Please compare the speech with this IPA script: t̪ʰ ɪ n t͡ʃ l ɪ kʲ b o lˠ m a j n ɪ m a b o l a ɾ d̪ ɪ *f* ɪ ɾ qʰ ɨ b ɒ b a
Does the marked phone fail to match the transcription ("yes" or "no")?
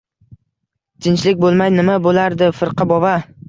no